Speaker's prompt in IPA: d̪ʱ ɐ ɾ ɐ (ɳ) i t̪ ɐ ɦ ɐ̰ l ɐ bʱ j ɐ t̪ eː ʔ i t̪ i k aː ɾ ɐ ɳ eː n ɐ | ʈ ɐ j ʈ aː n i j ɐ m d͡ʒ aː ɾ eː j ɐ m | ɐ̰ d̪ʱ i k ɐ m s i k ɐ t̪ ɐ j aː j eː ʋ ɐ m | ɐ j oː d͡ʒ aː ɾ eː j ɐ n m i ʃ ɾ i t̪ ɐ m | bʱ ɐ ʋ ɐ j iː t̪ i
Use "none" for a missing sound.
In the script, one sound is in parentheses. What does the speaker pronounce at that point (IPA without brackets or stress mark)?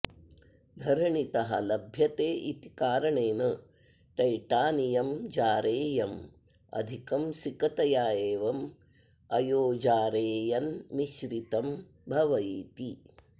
ɳ